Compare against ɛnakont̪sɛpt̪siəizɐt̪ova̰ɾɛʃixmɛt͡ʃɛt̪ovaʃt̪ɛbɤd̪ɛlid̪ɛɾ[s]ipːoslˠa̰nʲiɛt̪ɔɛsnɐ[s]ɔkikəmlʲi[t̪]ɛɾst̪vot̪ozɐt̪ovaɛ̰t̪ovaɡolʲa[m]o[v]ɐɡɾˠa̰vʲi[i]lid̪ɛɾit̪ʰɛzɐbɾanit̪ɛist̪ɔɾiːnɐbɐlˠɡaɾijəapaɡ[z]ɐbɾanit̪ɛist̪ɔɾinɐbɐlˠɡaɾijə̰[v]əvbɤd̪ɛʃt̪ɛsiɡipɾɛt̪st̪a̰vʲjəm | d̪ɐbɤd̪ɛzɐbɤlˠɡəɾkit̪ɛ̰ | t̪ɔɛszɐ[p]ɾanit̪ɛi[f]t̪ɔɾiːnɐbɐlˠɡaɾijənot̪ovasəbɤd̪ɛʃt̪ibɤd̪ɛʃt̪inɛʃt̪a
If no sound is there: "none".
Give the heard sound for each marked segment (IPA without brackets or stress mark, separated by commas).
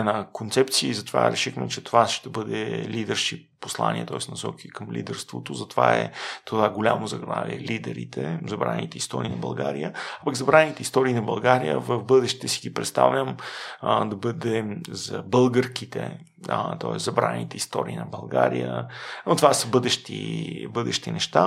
ʃ, s, d̪, m, z, ɛ, z, v, b, s